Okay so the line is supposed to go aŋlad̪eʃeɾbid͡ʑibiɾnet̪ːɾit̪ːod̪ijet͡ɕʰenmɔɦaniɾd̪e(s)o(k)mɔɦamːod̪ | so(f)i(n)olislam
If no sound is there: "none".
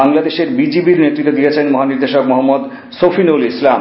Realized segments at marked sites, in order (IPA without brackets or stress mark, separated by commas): ʃ, k, f, n